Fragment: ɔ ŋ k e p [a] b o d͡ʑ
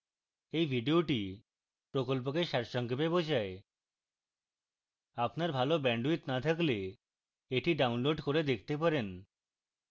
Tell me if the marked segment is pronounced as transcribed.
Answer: no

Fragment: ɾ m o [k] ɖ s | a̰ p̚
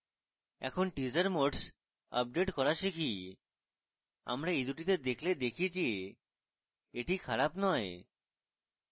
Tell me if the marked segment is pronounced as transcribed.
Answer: no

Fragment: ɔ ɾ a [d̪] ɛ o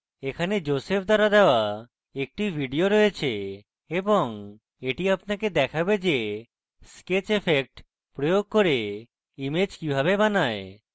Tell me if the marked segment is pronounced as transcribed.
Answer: yes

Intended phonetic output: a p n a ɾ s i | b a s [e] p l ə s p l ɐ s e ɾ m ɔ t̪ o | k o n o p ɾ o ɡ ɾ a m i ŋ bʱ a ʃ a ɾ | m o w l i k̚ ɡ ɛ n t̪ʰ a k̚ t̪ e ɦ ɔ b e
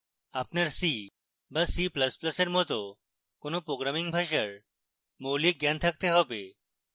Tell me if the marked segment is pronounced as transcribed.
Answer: no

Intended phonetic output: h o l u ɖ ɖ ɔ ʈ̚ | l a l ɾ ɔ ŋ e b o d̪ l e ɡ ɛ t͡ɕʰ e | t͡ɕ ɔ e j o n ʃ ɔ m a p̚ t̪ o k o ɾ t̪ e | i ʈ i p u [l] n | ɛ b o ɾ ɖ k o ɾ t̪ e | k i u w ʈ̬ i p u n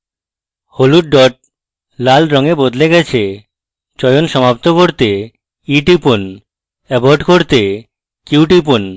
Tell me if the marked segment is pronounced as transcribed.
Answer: no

